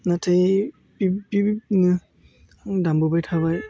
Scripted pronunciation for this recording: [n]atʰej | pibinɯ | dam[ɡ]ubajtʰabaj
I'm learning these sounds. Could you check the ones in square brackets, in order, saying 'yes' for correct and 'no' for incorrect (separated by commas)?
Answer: yes, no